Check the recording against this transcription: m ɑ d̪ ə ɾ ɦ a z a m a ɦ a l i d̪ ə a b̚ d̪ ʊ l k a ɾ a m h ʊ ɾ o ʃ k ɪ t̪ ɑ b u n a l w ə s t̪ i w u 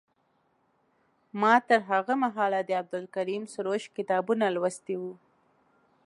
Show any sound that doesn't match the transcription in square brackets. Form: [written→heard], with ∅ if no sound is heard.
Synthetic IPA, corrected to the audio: m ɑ [d̪→t̪] ə ɾ ɦ a [z→ɣ] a m a ɦ [a→ɑ] l [i→a] d̪ ə a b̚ d̪ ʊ l k a ɾ [a→i] m [h→s] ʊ ɾ o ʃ k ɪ t̪ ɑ b u n a l w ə s t̪ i w u